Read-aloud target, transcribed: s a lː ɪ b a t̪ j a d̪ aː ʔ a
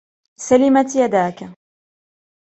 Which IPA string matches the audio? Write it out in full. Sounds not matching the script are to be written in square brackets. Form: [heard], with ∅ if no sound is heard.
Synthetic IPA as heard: s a [l] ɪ [m] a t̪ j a d̪ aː [k] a